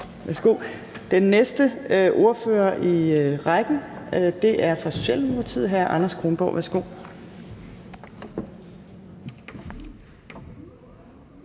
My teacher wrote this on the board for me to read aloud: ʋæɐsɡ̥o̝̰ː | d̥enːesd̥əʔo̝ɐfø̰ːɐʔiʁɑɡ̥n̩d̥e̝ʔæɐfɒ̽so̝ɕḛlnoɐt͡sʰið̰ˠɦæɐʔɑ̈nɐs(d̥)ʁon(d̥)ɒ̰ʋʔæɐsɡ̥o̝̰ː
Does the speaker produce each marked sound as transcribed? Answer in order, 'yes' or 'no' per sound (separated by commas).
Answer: no, no